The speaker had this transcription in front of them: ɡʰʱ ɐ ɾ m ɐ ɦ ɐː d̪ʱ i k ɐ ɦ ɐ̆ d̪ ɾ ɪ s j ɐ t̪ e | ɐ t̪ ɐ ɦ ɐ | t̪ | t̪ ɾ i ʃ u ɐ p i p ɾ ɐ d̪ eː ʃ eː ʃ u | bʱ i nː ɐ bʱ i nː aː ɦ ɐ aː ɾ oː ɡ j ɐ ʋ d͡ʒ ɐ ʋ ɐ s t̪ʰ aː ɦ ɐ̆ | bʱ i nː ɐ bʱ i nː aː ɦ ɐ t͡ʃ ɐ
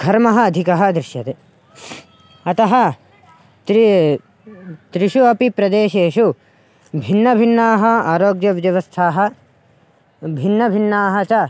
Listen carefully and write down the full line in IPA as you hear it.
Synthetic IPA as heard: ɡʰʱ ɐ ɾ m ɐ ɦ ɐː d̪ʱ i k ɐ ɦ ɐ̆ d̪ ɾ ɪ ʃ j ɐ t̪ e | ɐ t̪ ɐ ɦ ɐ | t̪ | t̪ ɾ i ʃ u ɐ p i p ɾ ɐ d̪ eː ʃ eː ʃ u | bʱ i nː ɐ bʱ i nː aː ɦ ɐ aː ɾ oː ɡ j ɐ ʋ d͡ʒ ɐ ʋ ɐ s t̪ʰ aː ɦ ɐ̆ | bʱ i nː ɐ bʱ i nː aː ɦ ɐ t͡ʃ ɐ